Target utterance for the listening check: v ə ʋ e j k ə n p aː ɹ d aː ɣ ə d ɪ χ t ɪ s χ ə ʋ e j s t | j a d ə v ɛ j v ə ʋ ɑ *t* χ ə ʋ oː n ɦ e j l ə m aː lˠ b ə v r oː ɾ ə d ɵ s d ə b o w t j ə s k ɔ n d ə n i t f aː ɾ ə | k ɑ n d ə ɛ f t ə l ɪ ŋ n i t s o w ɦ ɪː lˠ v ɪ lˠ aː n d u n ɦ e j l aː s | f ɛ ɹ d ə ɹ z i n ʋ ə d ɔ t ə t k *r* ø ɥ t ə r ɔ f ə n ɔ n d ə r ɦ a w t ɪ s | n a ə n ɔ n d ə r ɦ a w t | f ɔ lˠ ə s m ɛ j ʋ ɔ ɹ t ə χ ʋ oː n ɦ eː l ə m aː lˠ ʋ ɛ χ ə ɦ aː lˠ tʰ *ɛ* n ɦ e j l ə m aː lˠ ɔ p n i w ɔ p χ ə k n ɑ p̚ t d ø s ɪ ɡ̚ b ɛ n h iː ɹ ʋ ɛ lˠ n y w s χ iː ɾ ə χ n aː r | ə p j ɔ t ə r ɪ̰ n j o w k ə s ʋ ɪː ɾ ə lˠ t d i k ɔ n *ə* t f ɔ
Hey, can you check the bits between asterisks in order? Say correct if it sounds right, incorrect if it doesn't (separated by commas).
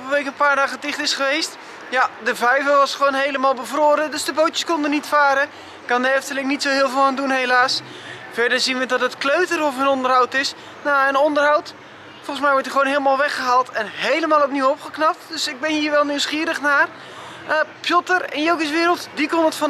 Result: incorrect, incorrect, correct, correct